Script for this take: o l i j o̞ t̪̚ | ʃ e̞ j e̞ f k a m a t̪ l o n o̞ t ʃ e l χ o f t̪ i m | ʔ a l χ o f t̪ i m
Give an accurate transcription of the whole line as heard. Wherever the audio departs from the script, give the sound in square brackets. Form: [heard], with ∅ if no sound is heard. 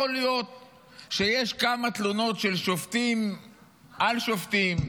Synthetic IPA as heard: o l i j o̞ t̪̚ | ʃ e̞ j e̞ [ʃ] k a m a t̪ l [u] n o̞ t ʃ e l [ʃ] o f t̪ i m | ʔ a l [ʃ] o f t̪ i m